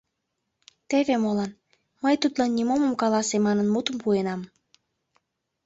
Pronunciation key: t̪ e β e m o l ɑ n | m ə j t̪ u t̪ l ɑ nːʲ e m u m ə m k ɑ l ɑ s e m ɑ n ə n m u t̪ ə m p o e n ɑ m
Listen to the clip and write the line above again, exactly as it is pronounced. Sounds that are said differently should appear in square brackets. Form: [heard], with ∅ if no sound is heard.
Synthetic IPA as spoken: t̪ e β e m o l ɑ n | m ə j t̪ u t̪ l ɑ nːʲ [i] m [o] m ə m k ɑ l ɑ s e m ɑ n ə n m u t̪ ə m p [u] e n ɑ m